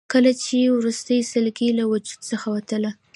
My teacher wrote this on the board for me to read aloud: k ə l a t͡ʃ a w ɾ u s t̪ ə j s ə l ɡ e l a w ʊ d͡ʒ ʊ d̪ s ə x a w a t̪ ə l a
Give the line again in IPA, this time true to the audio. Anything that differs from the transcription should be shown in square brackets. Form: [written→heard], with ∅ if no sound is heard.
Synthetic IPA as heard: k ə l a t͡ʃ [a→e] w ɾ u s t̪ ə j s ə l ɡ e l a w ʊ d͡ʒ [ʊ→u] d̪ s ə x a w a t̪ ə l a